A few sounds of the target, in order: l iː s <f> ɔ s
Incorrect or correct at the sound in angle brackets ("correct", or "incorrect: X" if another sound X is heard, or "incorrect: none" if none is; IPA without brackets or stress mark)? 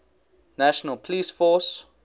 correct